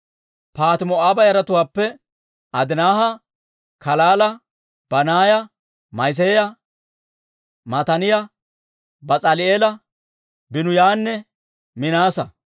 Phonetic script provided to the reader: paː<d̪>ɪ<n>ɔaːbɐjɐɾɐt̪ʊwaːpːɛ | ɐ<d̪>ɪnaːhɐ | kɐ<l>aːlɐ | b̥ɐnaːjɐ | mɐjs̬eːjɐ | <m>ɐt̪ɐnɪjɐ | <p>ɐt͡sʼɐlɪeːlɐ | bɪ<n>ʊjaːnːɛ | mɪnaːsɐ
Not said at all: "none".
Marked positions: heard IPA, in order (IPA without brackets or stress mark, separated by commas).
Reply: t̪, m, d̪, l, m, b, n